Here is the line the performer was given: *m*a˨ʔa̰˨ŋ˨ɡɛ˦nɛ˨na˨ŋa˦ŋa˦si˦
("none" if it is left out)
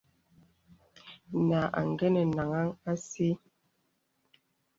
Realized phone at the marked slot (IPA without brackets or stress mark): n